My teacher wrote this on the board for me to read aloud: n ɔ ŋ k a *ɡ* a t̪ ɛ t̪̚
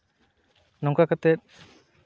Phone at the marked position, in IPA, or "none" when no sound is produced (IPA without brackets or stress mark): k